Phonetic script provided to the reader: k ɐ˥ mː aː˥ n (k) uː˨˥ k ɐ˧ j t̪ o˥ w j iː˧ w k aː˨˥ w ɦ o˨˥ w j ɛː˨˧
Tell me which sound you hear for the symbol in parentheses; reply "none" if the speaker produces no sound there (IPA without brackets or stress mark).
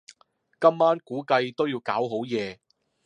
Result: k